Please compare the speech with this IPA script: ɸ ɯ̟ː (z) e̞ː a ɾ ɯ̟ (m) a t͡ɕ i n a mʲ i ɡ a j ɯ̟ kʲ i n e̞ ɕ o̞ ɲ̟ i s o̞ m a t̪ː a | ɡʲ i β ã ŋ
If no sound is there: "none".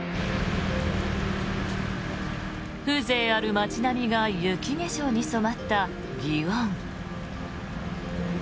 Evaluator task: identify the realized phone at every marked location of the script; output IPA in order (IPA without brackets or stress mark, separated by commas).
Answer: z, m